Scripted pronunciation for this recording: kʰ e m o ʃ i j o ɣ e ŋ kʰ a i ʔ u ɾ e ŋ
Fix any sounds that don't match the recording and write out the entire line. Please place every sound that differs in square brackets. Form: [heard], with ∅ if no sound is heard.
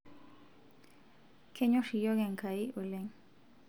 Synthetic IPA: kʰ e [ɲ] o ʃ i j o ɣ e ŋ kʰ a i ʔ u [l] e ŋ